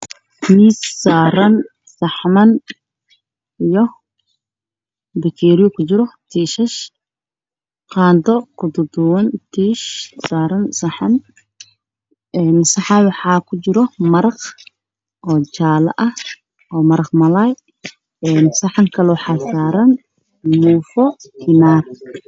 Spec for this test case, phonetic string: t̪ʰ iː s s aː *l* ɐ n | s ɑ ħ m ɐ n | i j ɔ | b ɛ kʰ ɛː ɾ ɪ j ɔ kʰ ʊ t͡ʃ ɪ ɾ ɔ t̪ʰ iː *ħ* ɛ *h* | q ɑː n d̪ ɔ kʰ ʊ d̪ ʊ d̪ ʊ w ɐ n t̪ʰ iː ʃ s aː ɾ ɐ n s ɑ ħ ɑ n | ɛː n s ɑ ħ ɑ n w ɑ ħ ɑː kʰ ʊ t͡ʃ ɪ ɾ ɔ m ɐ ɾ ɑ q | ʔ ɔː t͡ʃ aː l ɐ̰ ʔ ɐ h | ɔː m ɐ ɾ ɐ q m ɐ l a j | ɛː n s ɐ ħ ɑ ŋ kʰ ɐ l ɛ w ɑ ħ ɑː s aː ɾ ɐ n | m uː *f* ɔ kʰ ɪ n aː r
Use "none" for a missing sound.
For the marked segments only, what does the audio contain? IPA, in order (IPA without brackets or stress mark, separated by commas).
ɾ, ʃ, ʃ, f